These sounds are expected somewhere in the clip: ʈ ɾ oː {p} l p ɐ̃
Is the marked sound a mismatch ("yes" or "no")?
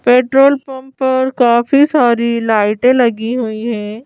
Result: yes